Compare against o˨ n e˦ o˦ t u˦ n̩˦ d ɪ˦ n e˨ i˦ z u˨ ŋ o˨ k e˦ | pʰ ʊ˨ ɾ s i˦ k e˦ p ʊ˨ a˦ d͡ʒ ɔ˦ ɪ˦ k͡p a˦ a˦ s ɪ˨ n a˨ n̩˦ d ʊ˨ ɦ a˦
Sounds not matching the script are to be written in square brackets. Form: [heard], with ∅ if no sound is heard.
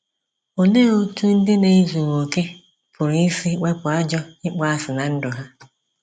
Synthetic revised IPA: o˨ n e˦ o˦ t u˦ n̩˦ d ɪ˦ n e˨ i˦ z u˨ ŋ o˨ k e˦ | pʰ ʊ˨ ɾ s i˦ [k͡p] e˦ p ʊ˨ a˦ d͡ʒ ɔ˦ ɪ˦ k͡p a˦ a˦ s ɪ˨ n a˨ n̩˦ d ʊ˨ ɦ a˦